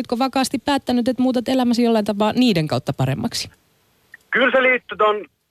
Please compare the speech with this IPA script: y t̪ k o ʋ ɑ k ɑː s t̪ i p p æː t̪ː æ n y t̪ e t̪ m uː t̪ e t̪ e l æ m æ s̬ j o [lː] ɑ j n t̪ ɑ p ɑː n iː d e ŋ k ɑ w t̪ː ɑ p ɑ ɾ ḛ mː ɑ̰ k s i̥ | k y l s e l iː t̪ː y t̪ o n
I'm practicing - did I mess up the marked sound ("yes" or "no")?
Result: no